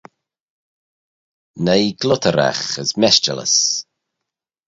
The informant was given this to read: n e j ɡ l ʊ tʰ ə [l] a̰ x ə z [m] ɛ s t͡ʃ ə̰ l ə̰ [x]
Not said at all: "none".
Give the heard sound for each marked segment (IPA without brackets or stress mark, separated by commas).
ɾ, m, s